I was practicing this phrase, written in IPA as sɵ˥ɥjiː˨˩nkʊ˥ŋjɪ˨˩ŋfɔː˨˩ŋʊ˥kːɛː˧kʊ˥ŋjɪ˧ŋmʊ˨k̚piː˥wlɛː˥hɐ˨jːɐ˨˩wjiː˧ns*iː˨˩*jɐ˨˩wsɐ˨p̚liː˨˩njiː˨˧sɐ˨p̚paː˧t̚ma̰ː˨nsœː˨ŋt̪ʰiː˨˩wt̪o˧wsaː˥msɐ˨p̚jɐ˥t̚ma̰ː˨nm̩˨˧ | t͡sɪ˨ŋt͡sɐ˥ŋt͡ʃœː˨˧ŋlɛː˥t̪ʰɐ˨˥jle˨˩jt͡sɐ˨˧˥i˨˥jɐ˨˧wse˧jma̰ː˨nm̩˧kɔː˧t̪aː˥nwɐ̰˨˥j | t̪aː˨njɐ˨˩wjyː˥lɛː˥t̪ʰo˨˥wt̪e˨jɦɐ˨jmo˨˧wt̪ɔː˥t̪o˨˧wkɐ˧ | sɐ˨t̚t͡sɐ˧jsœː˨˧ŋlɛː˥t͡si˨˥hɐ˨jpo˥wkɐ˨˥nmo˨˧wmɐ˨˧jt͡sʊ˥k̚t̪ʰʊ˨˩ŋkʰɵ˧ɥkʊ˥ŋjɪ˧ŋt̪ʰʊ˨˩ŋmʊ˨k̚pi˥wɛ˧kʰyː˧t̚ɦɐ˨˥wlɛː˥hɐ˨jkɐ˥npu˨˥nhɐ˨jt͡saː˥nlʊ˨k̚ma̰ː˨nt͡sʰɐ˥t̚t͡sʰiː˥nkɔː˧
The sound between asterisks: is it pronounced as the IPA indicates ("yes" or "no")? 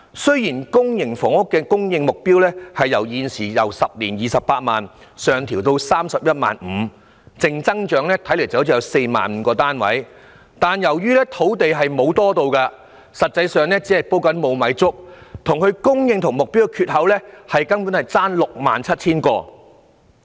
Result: yes